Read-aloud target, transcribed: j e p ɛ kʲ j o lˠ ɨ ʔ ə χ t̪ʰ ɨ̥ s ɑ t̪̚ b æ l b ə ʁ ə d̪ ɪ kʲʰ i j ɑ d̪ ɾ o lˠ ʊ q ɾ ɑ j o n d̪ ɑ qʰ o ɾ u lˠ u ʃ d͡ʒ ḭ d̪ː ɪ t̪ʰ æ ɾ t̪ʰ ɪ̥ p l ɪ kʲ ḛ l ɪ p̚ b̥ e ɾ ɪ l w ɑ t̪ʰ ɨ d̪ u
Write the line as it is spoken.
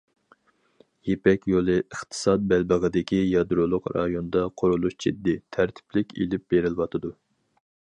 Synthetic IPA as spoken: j e p ɛ kʲ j o lˠ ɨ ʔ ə χ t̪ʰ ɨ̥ s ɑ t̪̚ b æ l b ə ʁ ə d̪ ɪ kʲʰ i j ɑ d̪ ɾ o lˠ ʊ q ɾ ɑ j o n d̪ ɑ qʰ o ɾ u lˠ u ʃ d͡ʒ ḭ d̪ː ɪ t̪ʰ æ ɾ t̪ʰ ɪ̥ p l ɪ kʲ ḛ l ɪ p̚ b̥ e ɾ ɪ l w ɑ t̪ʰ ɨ d̪ u